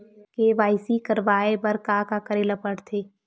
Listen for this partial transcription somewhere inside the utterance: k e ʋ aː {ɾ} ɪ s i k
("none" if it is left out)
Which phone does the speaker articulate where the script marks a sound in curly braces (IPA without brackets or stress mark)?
none